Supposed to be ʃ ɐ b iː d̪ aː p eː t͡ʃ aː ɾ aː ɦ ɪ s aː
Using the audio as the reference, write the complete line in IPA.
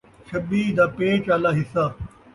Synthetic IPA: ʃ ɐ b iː d̪ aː p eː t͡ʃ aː l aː ɦ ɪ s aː